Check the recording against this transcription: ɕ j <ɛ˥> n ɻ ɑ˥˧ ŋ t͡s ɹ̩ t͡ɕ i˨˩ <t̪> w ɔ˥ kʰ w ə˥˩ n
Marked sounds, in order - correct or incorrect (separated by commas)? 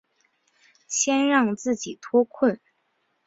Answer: correct, incorrect